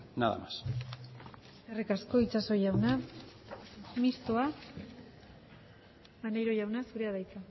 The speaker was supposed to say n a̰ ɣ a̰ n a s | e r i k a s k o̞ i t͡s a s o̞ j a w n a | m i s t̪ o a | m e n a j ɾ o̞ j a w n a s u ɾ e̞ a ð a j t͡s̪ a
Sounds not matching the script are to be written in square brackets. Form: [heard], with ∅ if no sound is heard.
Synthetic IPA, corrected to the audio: n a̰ [ð] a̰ [m] a s | e r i k a s k o̞ i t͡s a s o̞ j a w n a | m i s t̪ o a | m [a] n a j ɾ o̞ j a w n a s u ɾ e̞ a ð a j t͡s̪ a